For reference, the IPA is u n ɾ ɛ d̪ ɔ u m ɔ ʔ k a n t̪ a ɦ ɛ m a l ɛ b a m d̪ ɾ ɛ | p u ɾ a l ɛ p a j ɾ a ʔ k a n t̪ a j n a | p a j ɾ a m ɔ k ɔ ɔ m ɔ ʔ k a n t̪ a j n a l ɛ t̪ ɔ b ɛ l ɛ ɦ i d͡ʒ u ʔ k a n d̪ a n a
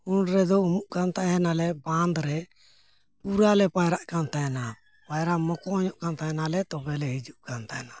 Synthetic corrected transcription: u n ɾ ɛ d̪ ɔ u m u ʔ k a n t̪ a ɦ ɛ n a l ɛ b a n d̪ ɾ ɛ | p u ɾ a l ɛ p a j ɾ a ʔ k a n t̪ a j n a | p a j ɾ a m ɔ k ɔ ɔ ɲ ɔ ʔ k a n t̪ a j n a l ɛ t̪ ɔ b ɛ l ɛ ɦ i d͡ʒ u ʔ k a n t̪ a n a